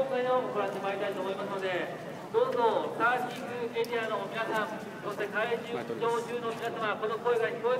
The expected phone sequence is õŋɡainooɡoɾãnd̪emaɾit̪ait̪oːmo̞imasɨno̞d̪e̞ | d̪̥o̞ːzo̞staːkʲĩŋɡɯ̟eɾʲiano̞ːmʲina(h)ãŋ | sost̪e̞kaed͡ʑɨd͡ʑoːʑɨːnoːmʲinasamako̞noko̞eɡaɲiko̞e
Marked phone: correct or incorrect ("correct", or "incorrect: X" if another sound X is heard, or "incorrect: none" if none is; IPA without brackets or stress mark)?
incorrect: s